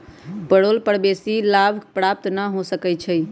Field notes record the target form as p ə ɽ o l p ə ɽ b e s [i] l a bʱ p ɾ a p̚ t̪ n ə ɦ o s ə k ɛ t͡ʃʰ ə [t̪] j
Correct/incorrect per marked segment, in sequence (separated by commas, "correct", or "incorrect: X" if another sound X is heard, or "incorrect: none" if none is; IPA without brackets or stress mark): correct, incorrect: none